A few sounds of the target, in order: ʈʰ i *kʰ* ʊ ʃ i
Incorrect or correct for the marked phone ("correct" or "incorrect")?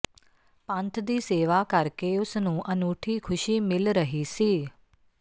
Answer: correct